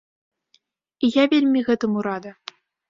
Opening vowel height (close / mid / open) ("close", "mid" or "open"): close